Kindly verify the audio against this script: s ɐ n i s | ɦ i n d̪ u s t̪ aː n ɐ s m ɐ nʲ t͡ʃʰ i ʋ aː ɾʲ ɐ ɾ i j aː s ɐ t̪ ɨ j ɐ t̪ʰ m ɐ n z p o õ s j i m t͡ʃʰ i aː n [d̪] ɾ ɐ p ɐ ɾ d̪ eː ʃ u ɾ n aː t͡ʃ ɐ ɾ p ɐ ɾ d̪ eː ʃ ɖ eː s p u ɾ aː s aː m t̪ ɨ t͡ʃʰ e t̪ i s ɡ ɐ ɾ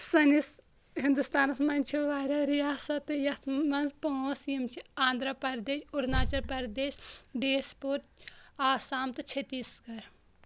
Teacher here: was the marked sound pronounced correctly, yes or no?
yes